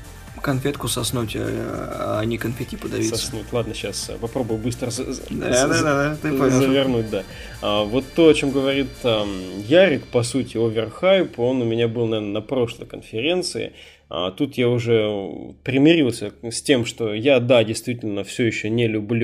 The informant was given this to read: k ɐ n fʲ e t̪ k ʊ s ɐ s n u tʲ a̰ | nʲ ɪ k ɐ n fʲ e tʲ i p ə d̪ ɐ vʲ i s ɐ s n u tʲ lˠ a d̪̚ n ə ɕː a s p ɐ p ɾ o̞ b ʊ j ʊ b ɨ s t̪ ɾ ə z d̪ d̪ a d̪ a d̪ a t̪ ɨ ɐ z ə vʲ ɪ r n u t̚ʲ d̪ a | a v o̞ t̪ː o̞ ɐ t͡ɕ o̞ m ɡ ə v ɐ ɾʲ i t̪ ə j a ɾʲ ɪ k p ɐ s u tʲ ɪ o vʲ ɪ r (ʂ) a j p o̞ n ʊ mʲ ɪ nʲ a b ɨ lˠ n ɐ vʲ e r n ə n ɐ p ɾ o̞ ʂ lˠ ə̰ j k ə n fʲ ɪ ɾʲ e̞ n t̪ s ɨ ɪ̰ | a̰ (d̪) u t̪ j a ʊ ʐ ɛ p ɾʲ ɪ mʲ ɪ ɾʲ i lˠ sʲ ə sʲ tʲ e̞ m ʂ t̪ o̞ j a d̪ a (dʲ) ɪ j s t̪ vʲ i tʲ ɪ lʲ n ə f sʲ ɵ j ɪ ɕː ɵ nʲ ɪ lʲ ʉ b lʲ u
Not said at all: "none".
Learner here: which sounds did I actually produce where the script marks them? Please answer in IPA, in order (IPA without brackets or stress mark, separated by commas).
x, t̪, dʲ